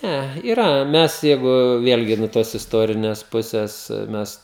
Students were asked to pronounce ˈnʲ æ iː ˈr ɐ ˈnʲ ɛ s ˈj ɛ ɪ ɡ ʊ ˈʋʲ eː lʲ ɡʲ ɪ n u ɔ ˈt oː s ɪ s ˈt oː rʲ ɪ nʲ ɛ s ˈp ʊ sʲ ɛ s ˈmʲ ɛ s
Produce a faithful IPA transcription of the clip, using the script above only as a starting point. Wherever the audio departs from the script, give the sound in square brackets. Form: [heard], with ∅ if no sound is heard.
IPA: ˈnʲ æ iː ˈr ɐ [ˈmʲ] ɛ s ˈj ɛ ɪ ɡ ʊ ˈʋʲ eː lʲ ɡʲ ɪ n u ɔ ˈt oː s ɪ s ˈt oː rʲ ɪ nʲ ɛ s ˈp ʊ sʲ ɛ s ˈmʲ ɛ s